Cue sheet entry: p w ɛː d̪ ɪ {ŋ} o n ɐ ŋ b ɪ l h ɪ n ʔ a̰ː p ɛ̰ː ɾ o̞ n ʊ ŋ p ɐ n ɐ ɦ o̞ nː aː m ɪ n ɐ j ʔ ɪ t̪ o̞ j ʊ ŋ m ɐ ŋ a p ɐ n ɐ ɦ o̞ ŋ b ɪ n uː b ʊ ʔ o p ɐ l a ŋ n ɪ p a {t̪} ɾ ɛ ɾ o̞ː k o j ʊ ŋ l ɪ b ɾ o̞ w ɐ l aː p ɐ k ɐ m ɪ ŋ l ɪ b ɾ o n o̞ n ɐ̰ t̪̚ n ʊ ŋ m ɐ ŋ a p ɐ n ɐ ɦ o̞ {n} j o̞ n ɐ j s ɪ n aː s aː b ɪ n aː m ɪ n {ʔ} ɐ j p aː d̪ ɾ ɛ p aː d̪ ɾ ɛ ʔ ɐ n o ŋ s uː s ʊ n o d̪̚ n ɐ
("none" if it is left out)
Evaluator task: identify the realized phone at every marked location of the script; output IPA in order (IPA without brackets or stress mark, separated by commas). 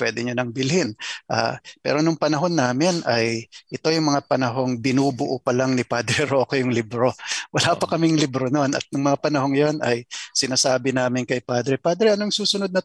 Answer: ɲ, d̪, ŋ, k